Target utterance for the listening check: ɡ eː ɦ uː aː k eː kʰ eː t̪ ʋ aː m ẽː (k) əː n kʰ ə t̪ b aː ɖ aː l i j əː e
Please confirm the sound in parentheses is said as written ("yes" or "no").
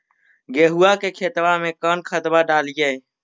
yes